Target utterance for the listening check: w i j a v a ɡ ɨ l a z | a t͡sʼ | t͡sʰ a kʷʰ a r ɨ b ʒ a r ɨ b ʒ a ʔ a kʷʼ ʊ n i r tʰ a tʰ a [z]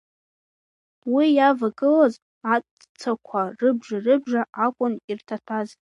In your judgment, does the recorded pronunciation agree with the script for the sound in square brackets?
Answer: yes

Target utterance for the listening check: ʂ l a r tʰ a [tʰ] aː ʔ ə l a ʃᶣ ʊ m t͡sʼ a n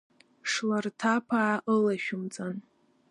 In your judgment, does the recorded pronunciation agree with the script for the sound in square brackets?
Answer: no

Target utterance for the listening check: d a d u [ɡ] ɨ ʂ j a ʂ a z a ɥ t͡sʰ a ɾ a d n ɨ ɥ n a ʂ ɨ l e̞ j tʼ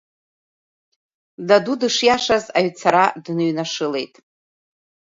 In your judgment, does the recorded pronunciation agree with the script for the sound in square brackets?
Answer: no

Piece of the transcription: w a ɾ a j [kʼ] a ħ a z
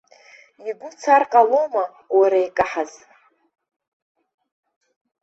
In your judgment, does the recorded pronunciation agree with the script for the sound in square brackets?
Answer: yes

